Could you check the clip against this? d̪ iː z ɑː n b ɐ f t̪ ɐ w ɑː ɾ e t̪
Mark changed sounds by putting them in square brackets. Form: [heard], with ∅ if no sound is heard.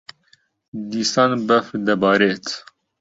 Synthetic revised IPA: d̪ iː [s] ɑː n b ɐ f [d̪] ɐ [b] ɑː ɾ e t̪